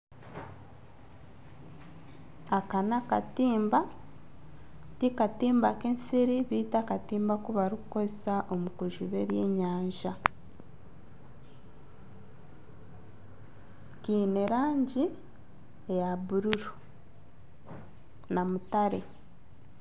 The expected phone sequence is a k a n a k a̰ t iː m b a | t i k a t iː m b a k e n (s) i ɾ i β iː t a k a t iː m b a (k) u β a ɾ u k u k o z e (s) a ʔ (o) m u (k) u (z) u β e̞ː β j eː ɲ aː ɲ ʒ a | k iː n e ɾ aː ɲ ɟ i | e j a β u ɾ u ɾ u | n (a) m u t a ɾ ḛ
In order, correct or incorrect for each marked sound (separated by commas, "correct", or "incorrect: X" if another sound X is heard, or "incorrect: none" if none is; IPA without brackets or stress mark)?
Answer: correct, correct, correct, correct, correct, incorrect: ʒ, correct